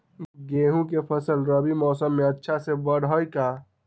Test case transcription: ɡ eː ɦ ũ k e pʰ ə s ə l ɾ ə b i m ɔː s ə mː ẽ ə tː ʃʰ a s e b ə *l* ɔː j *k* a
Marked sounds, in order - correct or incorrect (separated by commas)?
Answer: incorrect, correct